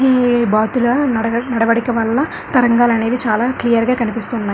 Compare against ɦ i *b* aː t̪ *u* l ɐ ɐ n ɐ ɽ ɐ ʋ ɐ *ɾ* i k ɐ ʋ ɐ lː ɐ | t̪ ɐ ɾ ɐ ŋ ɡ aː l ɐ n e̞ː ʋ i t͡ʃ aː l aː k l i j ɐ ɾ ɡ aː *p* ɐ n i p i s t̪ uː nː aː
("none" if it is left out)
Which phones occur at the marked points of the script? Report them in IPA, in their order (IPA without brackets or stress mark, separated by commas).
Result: b, u, ɽ, k